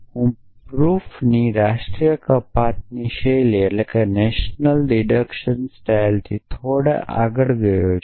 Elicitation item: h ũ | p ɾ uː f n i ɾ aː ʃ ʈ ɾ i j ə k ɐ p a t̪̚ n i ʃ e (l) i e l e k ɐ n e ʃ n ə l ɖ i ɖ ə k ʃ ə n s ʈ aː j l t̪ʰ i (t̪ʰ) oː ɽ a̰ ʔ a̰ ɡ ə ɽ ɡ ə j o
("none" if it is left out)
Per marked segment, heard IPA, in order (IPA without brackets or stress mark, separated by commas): l, t̪ʰ